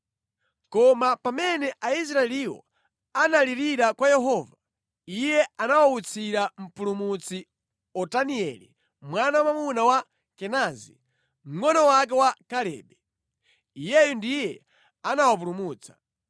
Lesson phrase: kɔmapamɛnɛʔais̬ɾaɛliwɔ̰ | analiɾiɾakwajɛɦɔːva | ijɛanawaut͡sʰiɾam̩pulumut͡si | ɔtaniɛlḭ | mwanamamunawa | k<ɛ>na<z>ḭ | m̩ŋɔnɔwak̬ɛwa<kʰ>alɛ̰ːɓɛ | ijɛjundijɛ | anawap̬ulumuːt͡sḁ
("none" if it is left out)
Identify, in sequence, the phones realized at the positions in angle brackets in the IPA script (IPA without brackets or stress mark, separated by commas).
ɛ, z, k